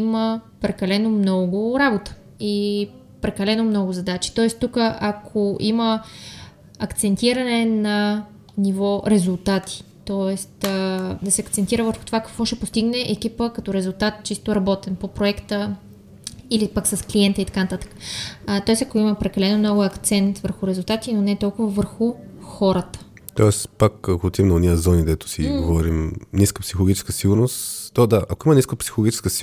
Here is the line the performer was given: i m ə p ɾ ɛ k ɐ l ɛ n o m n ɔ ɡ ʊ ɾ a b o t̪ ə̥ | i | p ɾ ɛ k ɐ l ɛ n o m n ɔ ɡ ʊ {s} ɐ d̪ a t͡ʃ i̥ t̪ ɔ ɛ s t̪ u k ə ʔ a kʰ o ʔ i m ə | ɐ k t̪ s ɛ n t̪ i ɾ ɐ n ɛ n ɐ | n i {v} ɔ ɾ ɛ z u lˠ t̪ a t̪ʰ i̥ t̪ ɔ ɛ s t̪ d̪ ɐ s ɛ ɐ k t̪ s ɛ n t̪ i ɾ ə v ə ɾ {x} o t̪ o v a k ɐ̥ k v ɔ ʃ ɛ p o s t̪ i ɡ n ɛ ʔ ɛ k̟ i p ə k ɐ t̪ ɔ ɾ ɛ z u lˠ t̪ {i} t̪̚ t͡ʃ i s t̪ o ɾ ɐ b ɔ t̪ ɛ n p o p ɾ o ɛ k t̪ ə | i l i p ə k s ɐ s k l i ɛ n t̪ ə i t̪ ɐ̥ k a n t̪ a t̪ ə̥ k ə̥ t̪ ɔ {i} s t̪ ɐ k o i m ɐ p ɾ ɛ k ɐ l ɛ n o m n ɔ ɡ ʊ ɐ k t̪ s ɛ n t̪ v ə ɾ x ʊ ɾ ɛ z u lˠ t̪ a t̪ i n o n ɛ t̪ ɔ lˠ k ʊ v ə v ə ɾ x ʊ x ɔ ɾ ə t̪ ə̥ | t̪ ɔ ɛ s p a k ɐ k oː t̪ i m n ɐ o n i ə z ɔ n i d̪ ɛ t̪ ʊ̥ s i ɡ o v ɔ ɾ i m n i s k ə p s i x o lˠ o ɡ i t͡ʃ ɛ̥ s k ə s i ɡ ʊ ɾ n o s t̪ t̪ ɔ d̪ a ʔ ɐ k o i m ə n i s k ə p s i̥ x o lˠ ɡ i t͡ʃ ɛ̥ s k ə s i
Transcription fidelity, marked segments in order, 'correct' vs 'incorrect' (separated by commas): incorrect, correct, correct, incorrect, incorrect